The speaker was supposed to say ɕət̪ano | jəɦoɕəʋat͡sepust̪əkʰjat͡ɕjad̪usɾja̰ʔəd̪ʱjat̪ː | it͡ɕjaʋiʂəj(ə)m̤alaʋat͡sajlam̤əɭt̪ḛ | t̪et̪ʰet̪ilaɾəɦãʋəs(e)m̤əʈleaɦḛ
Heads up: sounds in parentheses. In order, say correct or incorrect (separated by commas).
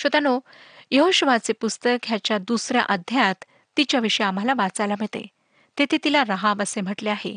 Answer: incorrect, correct